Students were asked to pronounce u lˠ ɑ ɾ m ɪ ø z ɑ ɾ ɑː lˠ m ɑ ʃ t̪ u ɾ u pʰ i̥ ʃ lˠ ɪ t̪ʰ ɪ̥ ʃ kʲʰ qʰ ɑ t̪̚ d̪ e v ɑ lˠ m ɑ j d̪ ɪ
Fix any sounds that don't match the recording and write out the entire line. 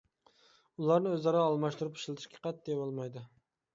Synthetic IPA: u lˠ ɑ ɾ n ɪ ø z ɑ ɾ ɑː lˠ m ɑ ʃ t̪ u ɾ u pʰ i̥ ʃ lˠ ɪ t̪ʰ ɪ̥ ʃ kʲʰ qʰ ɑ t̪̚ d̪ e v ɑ lˠ m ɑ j d̪ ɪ